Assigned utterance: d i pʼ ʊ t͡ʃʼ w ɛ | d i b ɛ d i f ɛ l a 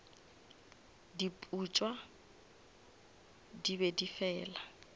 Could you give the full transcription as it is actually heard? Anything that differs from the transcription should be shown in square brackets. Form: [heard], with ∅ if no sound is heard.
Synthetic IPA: d i pʼ [u] t͡ʃʼ w [a] | d i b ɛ d i f [ɛː] l a